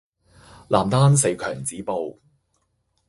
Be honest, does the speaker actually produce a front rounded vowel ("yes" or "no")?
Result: yes